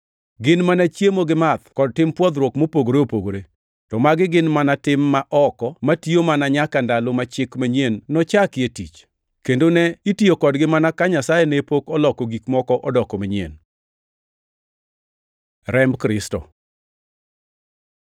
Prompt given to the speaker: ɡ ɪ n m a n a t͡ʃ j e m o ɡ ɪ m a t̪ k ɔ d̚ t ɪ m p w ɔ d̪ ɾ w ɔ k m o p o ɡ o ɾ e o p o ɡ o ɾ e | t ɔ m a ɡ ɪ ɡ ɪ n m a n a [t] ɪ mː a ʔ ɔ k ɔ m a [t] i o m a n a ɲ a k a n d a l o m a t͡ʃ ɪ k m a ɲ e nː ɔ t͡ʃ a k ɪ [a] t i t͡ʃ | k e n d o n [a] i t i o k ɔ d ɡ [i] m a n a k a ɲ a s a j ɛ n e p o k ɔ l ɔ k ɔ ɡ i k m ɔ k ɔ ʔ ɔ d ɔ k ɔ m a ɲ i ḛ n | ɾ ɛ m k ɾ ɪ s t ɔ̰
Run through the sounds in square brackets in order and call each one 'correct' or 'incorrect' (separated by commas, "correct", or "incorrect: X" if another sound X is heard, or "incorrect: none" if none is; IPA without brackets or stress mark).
correct, correct, incorrect: e, incorrect: ɛ, incorrect: ɪ